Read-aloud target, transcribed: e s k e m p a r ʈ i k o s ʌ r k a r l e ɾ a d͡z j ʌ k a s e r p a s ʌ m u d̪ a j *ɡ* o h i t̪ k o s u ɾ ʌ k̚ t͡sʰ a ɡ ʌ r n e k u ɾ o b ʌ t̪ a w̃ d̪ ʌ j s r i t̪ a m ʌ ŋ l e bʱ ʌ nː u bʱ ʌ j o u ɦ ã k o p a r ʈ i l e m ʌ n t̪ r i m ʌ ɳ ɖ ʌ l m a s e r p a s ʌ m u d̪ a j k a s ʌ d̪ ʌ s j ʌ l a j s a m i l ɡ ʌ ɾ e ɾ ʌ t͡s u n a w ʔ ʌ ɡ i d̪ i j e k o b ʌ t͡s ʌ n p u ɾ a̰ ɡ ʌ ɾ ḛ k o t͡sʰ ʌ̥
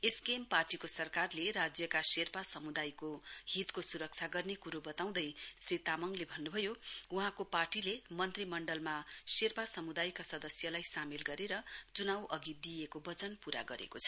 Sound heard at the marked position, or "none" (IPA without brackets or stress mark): k